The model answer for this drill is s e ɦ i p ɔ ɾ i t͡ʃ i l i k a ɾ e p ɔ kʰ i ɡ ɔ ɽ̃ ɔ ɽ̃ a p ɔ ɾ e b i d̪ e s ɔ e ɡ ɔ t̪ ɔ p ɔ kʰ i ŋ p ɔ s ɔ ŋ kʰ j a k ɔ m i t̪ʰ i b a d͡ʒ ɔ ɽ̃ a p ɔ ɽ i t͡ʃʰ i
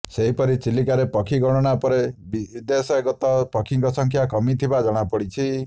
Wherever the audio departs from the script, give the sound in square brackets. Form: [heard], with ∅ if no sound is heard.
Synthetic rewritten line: s e ɦ i p ɔ ɾ i t͡ʃ i l i k a ɾ e p ɔ kʰ i ɡ ɔ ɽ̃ ɔ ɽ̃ a p ɔ ɾ e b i d̪ e s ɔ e ɡ ɔ t̪ ɔ p ɔ kʰ i ŋ [k] ɔ s ɔ ŋ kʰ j a k ɔ m i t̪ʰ i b a d͡ʒ ɔ ɽ̃ a p ɔ ɽ i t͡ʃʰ i